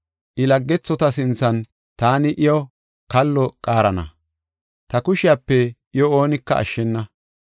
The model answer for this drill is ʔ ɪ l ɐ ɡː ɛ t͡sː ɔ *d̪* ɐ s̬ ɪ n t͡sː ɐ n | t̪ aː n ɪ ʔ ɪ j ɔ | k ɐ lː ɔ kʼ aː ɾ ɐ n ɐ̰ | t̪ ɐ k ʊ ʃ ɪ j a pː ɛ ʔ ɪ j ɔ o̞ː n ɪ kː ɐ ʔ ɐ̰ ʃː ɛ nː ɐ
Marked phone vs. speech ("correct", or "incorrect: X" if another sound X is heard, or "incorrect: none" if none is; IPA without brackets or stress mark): incorrect: t̪